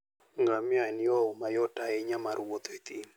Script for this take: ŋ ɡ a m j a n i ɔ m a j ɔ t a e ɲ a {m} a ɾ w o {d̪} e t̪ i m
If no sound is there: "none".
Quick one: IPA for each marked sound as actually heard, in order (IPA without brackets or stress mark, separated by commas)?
m, t̪